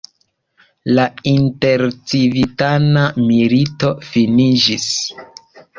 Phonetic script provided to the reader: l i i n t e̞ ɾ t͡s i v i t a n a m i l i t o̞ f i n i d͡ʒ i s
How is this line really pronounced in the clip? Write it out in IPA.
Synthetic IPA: l a i n t e̞ ɾ t͡s i v i t a n a m i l i t o̞ f i n i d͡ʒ i s